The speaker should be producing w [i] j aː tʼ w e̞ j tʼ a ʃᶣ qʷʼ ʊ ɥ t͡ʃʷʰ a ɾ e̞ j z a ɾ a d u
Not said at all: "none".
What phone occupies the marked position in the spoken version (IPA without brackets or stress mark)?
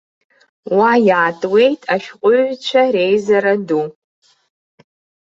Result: a